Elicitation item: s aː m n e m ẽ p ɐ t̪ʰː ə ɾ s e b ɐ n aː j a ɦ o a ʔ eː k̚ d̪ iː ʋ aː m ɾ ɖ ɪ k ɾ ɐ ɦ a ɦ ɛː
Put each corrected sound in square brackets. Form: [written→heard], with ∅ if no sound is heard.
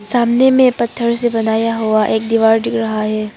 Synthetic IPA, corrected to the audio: s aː m n e m ẽ p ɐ t̪ʰː ə ɾ s e b ɐ n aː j a ɦ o a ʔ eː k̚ d̪ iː ʋ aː [m→∅] ɾ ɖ ɪ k ɾ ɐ ɦ a ɦ ɛː